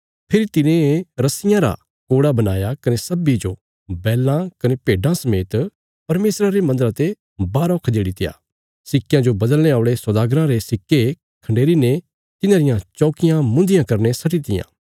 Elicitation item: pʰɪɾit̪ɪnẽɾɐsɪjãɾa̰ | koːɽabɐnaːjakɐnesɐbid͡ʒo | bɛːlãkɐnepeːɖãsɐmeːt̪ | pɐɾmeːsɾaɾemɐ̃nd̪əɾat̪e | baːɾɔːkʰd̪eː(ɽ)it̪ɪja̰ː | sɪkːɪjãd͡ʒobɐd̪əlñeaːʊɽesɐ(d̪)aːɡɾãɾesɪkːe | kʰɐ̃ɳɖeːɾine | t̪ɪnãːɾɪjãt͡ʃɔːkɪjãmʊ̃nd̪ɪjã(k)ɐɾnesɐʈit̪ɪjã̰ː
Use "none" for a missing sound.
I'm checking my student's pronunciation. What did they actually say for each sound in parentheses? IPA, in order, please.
ɽ, d̪, k

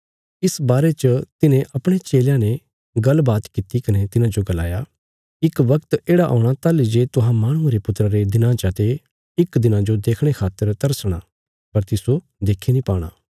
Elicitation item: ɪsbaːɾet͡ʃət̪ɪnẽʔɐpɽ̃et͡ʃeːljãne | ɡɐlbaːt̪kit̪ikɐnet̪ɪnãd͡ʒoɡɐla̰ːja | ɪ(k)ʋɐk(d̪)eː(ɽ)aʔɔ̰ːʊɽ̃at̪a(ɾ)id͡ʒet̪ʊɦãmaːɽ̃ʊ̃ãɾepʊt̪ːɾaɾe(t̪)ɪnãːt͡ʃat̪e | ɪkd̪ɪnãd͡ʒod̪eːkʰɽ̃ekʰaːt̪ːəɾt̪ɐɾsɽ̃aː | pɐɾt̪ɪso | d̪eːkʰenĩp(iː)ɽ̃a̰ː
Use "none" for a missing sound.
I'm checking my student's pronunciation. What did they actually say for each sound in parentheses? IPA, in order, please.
k, t̪, ɽ, l, d̪, aː

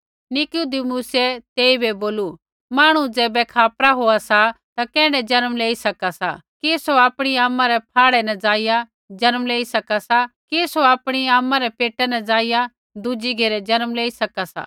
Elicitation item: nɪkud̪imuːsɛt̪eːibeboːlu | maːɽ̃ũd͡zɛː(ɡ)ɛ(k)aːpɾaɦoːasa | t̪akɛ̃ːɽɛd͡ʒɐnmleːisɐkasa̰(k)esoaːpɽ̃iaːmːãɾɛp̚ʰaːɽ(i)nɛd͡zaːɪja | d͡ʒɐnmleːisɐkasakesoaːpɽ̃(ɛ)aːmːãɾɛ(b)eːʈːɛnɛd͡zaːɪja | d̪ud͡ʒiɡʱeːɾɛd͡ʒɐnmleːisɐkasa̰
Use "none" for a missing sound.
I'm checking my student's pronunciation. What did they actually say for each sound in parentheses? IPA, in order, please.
b, kʰ, k, ɛ, i, p

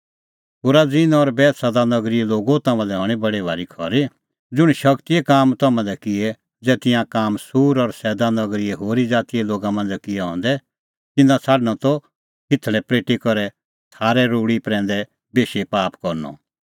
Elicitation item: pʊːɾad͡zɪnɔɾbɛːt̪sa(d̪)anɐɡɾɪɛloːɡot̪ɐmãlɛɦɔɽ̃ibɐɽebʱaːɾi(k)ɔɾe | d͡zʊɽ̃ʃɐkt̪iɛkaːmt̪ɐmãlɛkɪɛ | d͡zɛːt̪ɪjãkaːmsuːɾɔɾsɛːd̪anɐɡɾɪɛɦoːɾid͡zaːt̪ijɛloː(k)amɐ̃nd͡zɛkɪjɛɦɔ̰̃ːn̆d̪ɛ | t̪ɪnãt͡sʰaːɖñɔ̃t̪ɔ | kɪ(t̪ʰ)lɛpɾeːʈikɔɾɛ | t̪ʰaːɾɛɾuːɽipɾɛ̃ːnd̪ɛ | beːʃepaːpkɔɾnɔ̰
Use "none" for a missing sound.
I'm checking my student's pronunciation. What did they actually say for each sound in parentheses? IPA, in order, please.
d̪, kʰ, ɡ, t̪ʰ

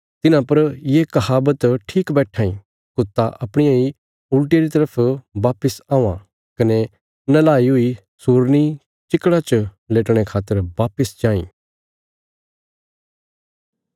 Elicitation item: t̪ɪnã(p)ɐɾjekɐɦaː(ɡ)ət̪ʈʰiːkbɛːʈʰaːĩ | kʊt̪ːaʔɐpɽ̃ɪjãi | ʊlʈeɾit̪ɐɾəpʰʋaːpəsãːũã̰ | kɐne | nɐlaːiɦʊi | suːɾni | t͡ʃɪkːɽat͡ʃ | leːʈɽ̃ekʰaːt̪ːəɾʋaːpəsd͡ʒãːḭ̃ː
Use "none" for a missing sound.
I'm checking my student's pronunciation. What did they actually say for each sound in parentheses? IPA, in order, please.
p, b

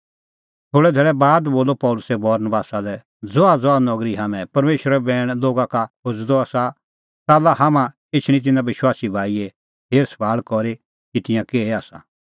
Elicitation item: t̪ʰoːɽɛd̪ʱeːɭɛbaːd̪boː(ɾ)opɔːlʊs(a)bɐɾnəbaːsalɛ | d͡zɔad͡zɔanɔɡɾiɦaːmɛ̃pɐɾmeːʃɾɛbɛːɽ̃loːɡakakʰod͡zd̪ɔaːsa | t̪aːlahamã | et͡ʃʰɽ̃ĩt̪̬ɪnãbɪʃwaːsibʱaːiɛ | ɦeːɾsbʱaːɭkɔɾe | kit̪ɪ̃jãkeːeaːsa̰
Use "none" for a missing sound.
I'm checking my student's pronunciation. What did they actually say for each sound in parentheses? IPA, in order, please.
l, ɛ

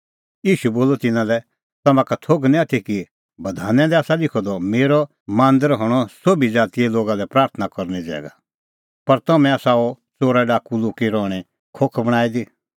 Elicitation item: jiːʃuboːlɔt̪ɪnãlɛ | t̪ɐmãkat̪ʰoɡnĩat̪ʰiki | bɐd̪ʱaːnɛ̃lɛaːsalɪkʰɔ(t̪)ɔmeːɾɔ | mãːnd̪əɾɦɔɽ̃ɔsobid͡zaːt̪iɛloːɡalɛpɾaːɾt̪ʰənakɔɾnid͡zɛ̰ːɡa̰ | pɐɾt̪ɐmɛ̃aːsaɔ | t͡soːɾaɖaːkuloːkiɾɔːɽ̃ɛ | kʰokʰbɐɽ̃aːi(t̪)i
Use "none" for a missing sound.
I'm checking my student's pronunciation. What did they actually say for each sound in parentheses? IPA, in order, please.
d̪, d̪

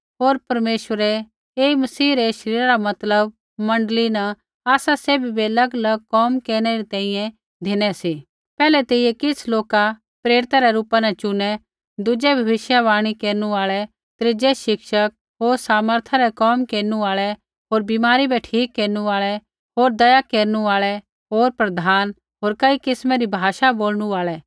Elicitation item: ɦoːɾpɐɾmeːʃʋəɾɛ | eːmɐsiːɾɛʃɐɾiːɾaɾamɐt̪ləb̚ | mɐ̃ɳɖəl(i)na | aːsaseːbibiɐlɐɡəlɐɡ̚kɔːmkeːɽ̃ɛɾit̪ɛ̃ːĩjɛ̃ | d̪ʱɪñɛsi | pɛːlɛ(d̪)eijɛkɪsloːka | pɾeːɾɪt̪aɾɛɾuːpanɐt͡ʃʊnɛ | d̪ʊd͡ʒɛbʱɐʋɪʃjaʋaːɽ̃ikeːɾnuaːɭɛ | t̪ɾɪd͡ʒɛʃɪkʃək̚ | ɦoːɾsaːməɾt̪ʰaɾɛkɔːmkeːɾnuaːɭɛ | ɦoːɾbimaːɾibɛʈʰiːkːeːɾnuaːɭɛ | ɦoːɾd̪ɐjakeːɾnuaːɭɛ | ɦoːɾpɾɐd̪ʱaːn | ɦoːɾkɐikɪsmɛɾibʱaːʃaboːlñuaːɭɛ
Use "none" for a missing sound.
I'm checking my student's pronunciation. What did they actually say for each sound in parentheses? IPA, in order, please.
i, t̪

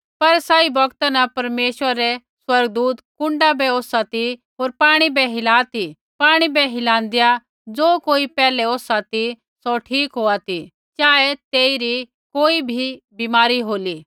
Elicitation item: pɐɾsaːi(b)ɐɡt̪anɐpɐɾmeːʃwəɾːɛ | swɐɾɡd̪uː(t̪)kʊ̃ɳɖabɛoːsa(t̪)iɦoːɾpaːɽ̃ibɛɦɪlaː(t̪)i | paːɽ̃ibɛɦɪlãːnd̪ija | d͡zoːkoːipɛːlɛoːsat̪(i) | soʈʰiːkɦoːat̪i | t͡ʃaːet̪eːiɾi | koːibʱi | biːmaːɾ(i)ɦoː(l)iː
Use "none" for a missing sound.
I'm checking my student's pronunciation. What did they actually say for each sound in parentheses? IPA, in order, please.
b, t̪, t̪, t̪, i, i, l

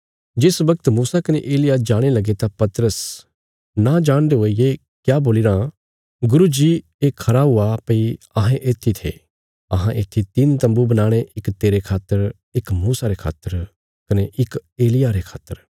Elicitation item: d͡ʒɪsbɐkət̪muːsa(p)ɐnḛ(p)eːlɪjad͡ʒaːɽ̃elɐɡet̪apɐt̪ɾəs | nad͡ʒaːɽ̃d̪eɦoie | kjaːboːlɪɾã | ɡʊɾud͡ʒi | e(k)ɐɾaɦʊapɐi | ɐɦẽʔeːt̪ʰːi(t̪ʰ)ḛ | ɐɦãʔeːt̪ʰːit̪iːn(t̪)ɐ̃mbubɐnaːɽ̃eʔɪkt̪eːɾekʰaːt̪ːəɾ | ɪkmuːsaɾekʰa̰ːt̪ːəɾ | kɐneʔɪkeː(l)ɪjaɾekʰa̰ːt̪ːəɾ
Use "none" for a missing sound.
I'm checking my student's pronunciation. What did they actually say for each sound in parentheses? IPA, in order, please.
k, ʔ, kʰ, t̪ʰ, t̪, l

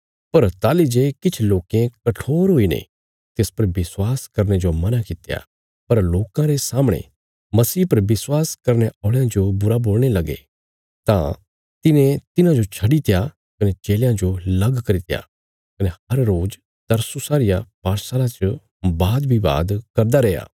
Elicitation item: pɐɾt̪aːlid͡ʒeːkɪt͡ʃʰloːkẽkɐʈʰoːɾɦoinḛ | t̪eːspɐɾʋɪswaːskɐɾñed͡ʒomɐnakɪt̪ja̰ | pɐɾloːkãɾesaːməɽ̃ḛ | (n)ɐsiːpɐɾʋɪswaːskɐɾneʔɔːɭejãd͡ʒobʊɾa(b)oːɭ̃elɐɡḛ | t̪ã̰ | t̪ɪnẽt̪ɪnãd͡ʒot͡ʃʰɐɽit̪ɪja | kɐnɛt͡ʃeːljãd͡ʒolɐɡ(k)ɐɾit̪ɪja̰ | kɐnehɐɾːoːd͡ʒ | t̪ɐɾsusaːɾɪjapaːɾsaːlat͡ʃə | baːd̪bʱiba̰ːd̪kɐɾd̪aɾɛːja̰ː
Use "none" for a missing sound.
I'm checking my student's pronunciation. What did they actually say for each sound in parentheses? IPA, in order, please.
m, b, k

